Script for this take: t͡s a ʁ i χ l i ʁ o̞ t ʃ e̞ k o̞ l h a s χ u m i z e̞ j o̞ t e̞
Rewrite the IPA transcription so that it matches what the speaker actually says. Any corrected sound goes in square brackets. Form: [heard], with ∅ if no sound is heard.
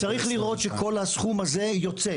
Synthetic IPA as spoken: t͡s a ʁ i χ l i ʁ o̞ t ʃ e̞ k o̞ l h a s χ u m [a] z e̞ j o̞ [t͡s] e̞